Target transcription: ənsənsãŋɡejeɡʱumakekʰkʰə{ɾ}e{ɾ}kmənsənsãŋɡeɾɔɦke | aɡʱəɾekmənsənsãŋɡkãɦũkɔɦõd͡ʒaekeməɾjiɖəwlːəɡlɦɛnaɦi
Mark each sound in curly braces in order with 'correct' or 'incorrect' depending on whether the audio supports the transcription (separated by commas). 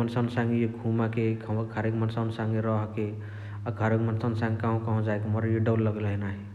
correct, incorrect